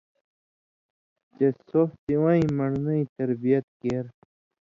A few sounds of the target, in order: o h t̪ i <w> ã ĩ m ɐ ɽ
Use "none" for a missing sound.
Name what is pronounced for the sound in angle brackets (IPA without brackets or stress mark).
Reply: w